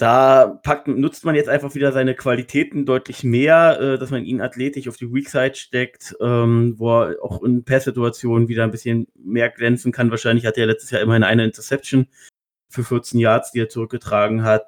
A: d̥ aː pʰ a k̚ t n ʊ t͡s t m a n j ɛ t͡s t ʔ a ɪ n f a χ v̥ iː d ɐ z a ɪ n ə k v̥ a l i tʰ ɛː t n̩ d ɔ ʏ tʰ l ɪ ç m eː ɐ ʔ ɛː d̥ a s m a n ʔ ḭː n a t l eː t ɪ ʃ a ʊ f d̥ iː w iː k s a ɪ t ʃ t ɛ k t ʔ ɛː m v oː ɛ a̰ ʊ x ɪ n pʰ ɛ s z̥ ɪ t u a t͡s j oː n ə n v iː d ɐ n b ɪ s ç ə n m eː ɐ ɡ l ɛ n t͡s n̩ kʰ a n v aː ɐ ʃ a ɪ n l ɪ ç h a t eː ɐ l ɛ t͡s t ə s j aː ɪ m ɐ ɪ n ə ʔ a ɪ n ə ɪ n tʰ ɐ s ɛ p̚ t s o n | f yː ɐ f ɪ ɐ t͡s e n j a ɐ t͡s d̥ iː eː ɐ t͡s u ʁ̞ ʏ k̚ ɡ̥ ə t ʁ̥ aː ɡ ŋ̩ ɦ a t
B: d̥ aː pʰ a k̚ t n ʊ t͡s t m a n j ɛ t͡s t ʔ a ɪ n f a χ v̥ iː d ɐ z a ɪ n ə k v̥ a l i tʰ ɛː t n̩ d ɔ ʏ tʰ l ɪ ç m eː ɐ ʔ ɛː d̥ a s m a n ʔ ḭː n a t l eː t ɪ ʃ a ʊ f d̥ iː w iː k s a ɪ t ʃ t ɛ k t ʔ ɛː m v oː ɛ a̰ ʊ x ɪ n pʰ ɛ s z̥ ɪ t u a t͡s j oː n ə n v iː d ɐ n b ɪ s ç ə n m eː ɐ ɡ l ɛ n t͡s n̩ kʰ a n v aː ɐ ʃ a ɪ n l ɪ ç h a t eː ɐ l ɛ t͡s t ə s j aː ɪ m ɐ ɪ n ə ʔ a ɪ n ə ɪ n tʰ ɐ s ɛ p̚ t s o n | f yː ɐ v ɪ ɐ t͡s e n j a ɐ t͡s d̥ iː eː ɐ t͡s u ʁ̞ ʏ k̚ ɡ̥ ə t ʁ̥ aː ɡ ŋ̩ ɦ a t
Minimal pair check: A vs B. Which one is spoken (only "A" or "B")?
A